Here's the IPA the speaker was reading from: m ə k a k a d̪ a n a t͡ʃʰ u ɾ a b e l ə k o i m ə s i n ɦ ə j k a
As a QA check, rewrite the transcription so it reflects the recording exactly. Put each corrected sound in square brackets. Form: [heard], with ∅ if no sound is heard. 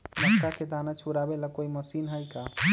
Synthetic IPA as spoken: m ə k a k [e] d̪ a n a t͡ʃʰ u ɾ a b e l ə k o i m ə s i n ɦ ə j k a